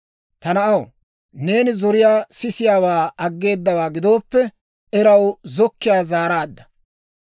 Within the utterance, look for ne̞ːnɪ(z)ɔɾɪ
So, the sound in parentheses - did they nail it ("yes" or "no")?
yes